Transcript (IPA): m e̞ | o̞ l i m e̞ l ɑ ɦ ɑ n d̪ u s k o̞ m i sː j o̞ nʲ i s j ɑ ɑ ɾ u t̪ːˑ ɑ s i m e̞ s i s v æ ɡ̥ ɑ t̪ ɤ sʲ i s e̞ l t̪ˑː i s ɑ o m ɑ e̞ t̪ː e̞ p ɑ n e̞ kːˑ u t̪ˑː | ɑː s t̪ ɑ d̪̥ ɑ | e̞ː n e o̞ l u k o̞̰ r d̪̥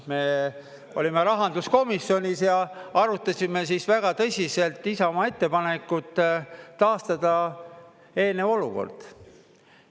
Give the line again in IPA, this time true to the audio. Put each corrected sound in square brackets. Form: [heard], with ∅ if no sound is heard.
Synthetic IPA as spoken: m e̞ | o̞ l i m e̞ [ɾ] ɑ ɦ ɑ n d̪ u s k o̞ m i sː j o̞ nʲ i s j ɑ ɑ ɾ u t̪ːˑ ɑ s i m e̞ s i s v æ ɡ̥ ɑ t̪ ɤ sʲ i s e̞ l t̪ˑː i s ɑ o m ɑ e̞ t̪ː e̞ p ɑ n e̞ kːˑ u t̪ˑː | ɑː s t̪ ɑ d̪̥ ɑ | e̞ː n e o̞ l u k o̞̰ r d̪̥